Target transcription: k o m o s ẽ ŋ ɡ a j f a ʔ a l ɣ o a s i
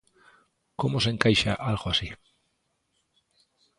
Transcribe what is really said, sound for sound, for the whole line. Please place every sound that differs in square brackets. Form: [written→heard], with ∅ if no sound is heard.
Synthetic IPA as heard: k o m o s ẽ ŋ [ɡ→k] a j [f→ʃ] a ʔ a l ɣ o a s i